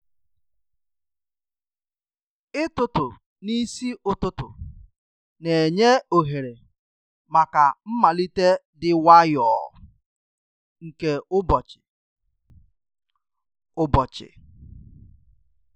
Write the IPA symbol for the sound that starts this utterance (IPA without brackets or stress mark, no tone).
ɪ